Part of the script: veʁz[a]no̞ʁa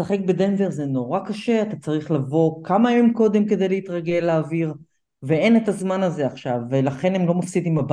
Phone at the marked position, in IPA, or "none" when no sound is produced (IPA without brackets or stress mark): e